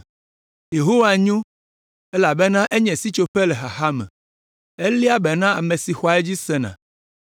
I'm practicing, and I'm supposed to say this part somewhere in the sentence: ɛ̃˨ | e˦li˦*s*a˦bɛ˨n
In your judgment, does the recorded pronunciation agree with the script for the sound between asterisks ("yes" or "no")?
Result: no